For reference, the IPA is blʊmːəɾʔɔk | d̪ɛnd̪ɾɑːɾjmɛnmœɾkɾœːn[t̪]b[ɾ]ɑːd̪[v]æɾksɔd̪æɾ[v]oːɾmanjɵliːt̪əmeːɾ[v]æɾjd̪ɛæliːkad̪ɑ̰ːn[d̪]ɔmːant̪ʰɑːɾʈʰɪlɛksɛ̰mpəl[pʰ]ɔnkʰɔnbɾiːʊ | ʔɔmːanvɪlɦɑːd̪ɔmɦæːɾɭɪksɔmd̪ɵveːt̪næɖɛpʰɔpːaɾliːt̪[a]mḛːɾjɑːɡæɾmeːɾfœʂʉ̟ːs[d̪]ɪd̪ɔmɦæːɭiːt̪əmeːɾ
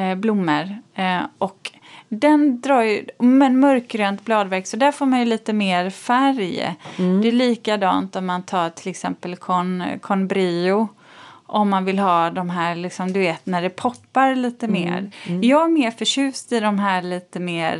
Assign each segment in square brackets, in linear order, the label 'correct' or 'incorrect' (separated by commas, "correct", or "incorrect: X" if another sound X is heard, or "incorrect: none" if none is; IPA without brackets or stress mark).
correct, incorrect: l, correct, incorrect: f, incorrect: f, incorrect: t̪, incorrect: kʰ, incorrect: ə, incorrect: t̪